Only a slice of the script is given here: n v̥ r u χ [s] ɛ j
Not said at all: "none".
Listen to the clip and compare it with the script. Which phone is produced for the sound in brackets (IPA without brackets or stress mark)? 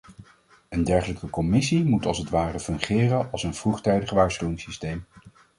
t